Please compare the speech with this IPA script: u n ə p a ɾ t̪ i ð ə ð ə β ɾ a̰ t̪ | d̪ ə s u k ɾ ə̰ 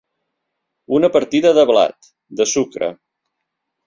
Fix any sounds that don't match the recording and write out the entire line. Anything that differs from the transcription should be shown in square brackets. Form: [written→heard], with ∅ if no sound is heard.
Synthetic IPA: u n ə p [a→ə] ɾ t̪ i ð ə ð ə β [ɾ→l] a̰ t̪ | d̪ ə s u k ɾ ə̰